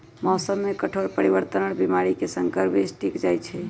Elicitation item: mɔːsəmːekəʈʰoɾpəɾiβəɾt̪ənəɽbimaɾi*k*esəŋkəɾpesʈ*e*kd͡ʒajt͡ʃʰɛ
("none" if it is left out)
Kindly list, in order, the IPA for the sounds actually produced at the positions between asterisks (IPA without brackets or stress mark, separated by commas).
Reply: k, i